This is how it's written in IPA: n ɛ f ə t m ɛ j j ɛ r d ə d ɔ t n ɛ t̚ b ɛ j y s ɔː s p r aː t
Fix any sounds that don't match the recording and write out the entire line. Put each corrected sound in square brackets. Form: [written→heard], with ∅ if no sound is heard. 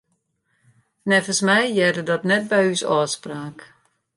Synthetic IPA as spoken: n ɛ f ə [t→s] m ɛ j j ɛ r d ə d ɔ t n ɛ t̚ b ɛ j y s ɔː s p r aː [t→k]